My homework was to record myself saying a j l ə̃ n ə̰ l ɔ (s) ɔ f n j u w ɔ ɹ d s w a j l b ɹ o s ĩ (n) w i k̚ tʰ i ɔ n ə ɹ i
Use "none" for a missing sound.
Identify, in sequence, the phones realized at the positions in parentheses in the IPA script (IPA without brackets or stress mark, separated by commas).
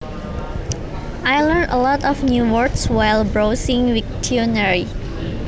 t, ŋ